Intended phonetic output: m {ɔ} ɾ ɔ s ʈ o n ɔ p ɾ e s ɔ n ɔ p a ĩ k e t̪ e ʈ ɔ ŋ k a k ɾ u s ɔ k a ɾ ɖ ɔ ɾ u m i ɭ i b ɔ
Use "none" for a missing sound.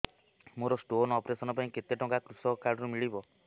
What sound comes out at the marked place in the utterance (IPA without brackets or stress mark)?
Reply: o